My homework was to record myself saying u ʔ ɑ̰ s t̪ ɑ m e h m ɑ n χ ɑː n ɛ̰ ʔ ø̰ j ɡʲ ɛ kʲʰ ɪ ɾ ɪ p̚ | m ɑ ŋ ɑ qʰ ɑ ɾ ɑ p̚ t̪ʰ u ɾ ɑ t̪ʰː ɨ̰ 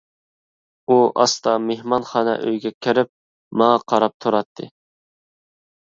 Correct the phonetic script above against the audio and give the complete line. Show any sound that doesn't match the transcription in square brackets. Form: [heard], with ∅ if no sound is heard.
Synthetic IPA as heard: u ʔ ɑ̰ s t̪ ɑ m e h m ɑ n χ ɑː n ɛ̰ ʔ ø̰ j ɡʲ ɛ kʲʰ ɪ ɾ ɪ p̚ | m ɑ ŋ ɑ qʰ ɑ ɾ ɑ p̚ t̪ʰ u ɾ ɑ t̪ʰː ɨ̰